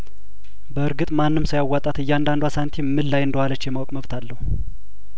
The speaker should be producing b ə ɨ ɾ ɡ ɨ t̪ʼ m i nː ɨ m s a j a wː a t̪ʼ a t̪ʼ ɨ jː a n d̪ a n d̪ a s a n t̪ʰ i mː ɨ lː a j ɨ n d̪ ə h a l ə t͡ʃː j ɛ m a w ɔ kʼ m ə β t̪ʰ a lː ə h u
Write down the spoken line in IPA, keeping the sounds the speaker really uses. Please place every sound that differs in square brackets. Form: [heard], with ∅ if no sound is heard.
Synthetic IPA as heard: b ə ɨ ɾ ɡ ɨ t̪ʼ m [a] nː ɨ m s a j a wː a t̪ʼ a [t̪] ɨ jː a n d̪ a n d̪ a s a n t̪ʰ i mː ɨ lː a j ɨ n d̪ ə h a l ə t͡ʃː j ɛ m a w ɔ kʼ m ə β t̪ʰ a lː ə h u